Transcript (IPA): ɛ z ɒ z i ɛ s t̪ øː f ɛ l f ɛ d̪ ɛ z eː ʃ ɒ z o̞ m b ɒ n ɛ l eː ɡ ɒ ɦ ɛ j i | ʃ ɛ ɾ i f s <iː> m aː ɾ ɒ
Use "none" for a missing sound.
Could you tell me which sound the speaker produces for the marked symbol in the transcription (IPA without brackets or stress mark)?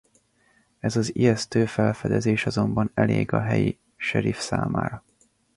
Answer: aː